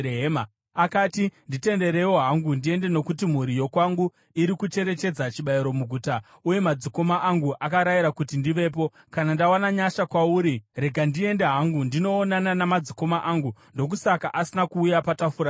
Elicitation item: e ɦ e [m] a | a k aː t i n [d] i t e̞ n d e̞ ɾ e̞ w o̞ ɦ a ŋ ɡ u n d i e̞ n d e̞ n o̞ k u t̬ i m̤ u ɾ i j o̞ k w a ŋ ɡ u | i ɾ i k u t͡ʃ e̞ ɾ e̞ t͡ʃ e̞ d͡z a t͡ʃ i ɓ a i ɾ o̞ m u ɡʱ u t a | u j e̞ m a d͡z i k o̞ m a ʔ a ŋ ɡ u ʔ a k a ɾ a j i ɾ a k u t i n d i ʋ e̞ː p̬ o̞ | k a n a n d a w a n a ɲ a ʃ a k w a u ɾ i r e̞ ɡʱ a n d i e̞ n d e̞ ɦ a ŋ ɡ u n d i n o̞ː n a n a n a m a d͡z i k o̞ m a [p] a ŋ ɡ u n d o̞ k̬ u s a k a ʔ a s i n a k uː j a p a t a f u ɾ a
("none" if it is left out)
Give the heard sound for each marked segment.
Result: m, d, ʔ

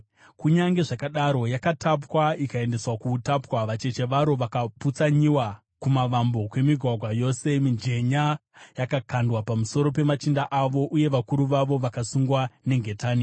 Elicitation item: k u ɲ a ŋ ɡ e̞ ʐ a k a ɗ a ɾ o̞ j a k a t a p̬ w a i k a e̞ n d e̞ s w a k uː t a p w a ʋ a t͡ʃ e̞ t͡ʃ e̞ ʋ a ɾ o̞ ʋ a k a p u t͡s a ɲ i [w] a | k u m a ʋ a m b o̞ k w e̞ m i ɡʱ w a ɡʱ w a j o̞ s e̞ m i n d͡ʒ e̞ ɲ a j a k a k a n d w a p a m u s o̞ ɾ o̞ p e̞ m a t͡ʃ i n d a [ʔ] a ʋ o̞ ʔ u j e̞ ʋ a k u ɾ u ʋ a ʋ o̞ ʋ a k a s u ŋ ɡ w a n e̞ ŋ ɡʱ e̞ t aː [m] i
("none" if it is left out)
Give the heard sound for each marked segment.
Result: w, ʔ, n

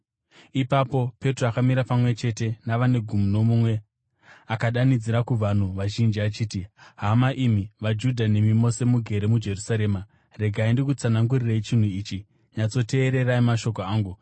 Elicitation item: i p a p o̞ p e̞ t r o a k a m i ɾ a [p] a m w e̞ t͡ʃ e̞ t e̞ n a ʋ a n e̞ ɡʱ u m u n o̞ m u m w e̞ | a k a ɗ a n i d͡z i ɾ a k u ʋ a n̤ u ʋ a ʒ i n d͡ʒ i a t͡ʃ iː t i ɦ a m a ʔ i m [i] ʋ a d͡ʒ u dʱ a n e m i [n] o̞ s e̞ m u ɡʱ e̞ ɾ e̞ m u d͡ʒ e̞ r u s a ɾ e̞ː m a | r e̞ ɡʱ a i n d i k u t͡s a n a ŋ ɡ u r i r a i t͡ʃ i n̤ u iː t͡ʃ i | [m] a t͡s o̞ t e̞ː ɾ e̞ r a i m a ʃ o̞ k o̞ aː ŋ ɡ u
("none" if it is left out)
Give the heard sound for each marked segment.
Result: p, i, m, ɲ

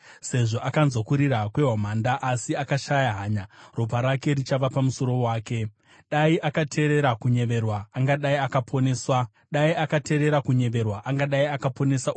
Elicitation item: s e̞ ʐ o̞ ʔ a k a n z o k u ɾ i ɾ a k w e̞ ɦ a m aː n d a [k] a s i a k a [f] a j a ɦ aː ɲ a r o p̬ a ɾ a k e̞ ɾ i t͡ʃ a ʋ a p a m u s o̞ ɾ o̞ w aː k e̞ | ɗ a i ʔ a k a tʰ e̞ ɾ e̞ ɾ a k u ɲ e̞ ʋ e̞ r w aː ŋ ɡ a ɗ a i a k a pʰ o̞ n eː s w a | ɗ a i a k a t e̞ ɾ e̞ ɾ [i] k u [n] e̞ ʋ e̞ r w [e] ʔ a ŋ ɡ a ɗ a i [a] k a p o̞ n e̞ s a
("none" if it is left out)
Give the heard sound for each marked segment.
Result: ʔ, ʃ, a, ɲ, a, a

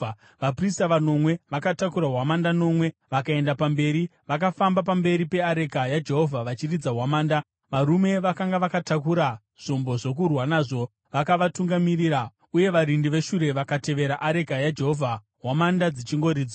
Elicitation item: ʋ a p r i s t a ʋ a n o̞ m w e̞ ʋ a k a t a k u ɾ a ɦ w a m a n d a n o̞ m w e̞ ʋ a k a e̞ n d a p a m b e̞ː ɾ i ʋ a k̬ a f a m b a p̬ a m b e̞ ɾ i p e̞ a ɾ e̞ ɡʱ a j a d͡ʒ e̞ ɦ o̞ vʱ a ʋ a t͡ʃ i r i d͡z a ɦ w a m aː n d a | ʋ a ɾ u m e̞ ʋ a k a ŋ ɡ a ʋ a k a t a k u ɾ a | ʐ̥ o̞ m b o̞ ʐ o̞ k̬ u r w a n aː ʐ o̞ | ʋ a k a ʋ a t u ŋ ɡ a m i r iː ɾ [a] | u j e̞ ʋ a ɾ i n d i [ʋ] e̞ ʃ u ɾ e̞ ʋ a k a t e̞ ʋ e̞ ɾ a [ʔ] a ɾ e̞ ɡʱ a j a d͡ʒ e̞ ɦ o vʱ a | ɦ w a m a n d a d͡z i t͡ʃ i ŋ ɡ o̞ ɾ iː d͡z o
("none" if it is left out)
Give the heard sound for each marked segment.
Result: a, ʋ, ʔ

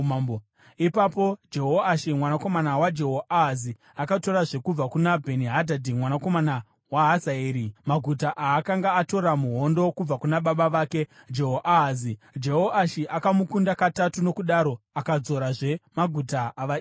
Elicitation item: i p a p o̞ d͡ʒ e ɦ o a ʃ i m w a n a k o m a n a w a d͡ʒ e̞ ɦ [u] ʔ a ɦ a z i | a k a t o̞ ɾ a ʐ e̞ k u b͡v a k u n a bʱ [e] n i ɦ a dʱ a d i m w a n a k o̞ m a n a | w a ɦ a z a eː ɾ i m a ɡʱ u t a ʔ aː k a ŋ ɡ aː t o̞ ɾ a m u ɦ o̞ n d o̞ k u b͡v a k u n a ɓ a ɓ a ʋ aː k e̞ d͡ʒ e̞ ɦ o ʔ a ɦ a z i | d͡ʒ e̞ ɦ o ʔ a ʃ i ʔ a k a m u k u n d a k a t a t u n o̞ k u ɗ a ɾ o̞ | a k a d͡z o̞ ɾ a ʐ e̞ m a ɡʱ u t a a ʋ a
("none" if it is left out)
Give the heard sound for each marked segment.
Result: o, e

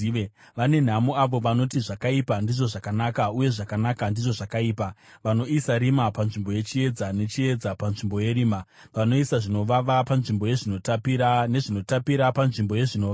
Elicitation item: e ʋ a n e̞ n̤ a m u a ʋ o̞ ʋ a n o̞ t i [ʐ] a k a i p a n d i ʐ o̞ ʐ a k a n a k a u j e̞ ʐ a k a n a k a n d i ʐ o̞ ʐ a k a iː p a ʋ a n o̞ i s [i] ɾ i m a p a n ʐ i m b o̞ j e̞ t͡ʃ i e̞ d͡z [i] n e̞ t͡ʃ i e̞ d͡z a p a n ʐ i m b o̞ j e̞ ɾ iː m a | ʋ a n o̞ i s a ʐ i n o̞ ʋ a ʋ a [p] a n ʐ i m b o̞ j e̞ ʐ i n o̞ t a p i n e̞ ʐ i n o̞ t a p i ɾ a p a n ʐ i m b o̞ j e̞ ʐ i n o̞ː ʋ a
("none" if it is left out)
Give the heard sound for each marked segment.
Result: ʐ, a, a, p

